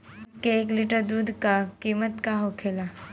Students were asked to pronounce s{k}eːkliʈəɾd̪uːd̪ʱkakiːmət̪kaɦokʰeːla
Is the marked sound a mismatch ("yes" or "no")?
no